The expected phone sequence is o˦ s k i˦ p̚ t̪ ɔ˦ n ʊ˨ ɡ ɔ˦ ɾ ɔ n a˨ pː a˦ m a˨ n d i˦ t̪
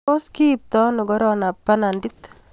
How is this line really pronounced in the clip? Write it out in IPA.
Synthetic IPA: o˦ s k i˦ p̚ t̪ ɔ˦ n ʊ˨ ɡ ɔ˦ ɾ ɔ n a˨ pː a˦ n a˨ n d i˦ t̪